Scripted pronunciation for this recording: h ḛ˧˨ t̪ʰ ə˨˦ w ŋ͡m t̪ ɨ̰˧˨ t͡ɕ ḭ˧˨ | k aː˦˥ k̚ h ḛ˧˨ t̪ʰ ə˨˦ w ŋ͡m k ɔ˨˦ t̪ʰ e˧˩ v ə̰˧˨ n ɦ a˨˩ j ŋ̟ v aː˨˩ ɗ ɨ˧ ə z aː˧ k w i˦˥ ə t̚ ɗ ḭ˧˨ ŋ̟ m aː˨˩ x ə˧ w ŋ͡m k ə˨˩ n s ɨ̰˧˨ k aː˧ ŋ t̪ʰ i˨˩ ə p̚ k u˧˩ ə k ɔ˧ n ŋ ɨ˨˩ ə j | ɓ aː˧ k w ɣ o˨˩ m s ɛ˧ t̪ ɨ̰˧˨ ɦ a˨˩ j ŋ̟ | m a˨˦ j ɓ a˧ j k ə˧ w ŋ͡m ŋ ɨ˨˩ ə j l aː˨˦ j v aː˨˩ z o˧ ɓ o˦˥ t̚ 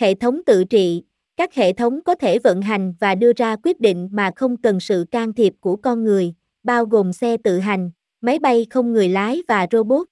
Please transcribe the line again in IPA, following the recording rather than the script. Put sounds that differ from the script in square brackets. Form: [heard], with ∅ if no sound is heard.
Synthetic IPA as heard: h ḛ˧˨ t̪ʰ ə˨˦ w ŋ͡m t̪ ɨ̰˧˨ t͡ɕ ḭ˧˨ | k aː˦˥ k̚ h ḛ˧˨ t̪ʰ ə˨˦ w ŋ͡m k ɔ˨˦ t̪ʰ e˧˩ v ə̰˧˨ n ɦ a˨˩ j ŋ̟ v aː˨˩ ɗ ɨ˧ ə z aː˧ k w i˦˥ ə t̚ ɗ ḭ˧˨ ŋ̟ m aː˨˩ x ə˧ w ŋ͡m k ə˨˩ n s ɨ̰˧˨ k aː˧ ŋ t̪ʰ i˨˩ ə p̚ k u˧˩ ə k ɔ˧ n ŋ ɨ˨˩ ə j | ɓ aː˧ [∅] w ɣ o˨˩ m s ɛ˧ t̪ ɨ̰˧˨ ɦ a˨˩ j ŋ̟ | m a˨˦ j ɓ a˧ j [x] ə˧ w ŋ͡m ŋ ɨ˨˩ ə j l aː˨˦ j v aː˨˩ z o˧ ɓ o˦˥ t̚